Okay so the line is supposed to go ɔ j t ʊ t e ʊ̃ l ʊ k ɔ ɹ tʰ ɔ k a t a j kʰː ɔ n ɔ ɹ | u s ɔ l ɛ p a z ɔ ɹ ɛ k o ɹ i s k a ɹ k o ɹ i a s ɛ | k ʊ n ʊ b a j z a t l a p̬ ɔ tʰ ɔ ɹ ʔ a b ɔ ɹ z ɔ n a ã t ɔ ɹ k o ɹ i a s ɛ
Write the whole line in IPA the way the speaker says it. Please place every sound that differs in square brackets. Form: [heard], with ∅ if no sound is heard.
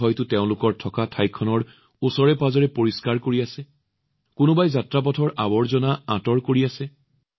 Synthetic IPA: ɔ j t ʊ t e ʊ̃ l ʊ k ɔ ɹ tʰ ɔ k a [tʰ] a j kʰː ɔ n ɔ ɹ | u s ɔ [ɹ] ɛ p a z ɔ ɹ ɛ [p] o ɹ i s k a ɹ k o ɹ i a s ɛ | k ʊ n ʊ b a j z a t [ɹ] a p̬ ɔ tʰ ɔ ɹ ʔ a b ɔ ɹ z ɔ n a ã t ɔ ɹ k o ɹ i a s ɛ